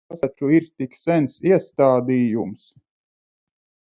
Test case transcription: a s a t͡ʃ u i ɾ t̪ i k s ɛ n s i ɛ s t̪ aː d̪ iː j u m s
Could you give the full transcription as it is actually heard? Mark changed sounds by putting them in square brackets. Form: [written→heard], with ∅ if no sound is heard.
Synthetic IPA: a s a t͡ʃ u i ɾ t̪ i k s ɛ n s i ɛ s t̪ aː d̪ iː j u m s

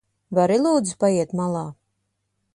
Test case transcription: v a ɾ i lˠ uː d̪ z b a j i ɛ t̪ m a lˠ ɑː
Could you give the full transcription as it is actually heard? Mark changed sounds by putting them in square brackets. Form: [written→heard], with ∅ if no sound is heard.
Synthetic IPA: v a ɾ i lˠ uː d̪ z [b→p] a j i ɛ t̪ m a lˠ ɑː

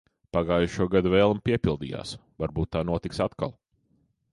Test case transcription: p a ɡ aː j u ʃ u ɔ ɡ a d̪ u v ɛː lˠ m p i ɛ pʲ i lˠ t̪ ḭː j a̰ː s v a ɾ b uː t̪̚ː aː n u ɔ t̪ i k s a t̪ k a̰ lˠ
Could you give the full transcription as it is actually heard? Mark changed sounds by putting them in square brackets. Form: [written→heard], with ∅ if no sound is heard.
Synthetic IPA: p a ɡ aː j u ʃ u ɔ ɡ a d̪ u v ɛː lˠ m p i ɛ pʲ i lˠ [t̪→d̪] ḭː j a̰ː s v a ɾ b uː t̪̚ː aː n u ɔ t̪ i k s a t̪ k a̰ lˠ

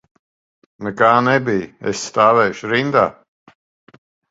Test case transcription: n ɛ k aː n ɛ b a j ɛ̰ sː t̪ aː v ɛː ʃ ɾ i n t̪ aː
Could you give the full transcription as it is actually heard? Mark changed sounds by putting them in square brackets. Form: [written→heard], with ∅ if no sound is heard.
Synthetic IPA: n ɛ k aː n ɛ b [a→i] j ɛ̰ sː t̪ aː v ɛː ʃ ɾ i n [t̪→d̪] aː

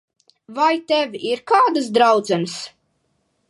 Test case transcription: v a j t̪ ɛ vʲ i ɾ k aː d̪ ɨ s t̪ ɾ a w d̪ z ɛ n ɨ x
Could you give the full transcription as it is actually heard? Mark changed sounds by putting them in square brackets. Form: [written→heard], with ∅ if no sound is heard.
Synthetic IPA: v a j t̪ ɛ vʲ i ɾ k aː d̪ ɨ s [t̪→d̪] ɾ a w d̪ z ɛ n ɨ [x→s]

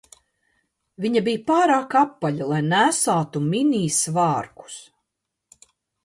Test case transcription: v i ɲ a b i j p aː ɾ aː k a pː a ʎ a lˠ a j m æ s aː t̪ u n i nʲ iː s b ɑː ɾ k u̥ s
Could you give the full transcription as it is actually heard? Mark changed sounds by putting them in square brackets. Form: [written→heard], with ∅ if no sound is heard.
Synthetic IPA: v i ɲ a b i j p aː ɾ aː k a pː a ʎ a lˠ a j [m→n] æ s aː t̪ u [n→m] i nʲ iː s [b→v] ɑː ɾ k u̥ s

